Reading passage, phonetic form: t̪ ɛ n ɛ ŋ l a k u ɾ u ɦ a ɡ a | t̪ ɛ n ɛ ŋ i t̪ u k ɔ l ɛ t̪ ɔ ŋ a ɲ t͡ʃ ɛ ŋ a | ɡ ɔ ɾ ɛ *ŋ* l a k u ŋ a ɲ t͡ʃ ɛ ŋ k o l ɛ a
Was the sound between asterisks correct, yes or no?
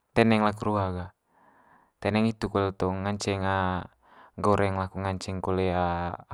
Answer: yes